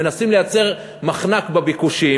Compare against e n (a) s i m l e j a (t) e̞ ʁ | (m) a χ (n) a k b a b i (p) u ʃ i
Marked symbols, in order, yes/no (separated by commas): yes, no, yes, yes, no